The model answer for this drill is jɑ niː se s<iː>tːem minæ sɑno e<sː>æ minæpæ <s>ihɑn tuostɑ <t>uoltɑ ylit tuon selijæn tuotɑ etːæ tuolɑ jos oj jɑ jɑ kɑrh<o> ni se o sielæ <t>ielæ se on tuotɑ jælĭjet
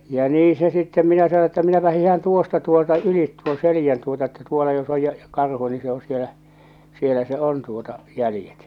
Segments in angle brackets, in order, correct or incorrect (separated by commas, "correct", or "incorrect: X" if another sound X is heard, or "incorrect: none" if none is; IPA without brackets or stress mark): incorrect: i, incorrect: tː, incorrect: h, correct, incorrect: u, incorrect: s